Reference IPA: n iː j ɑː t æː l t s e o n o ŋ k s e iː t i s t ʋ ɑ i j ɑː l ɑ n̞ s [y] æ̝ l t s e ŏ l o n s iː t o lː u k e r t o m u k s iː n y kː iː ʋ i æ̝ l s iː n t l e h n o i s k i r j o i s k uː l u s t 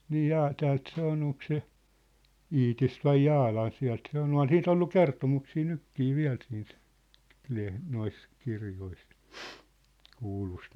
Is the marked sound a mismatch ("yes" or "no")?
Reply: yes